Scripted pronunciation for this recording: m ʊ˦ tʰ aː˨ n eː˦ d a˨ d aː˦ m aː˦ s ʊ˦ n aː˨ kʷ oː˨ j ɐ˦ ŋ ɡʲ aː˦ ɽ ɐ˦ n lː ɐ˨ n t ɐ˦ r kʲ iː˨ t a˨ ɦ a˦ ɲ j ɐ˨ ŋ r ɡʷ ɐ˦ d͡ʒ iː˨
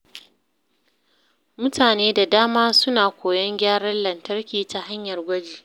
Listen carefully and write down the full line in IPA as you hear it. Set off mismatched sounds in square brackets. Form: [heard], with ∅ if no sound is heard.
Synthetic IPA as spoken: m ʊ˦ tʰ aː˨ n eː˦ d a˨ d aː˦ m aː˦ s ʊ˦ n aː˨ kʷ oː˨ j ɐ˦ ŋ ɡʲ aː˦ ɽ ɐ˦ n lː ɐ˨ n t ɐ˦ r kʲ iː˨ t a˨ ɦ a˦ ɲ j ɐ˨ [∅] r ɡʷ ɐ˦ d͡ʒ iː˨